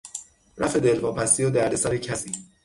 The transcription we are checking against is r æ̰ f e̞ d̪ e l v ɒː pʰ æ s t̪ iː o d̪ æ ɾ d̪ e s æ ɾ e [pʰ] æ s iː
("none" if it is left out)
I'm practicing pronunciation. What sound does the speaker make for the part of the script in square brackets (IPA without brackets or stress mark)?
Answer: cʰ